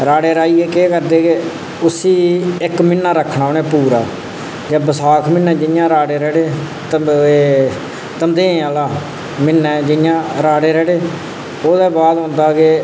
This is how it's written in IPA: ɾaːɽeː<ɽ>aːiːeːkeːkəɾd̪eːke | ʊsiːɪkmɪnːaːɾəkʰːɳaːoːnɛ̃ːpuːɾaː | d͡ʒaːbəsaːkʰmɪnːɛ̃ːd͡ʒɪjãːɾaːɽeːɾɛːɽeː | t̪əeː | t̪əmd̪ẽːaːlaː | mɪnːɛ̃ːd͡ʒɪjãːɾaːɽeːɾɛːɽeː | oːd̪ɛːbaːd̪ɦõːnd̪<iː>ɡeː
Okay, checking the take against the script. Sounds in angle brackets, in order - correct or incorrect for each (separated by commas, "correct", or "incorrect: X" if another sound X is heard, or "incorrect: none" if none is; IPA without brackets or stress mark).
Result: incorrect: ɾ, incorrect: aː